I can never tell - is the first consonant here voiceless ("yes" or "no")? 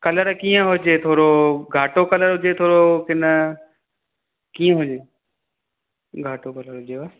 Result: yes